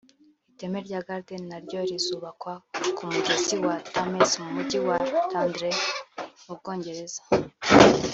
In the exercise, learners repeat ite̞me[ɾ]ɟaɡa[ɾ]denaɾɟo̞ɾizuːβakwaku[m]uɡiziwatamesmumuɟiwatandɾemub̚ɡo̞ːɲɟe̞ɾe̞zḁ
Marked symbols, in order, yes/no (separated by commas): yes, yes, yes